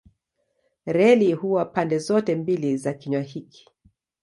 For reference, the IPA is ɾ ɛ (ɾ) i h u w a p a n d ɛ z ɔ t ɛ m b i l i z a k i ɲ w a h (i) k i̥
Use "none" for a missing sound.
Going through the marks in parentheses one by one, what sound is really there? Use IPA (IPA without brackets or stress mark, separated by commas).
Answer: l, i